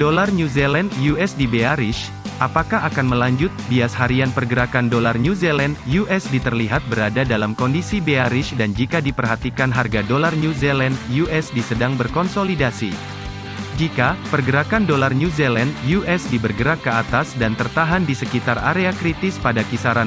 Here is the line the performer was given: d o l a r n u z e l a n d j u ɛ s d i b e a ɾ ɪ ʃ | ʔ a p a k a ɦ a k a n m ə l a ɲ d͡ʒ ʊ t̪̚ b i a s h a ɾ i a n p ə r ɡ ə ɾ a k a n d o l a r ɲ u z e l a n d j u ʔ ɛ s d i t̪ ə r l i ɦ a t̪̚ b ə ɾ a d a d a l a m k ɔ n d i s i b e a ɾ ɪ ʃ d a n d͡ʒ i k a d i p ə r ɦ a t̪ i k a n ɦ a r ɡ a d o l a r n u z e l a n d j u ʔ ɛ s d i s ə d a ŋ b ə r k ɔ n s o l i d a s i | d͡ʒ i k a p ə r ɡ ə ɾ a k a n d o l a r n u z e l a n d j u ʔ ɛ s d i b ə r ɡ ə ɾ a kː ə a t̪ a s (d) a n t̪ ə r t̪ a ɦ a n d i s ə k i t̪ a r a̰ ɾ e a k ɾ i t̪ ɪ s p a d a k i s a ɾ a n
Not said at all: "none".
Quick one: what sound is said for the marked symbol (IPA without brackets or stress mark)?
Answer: d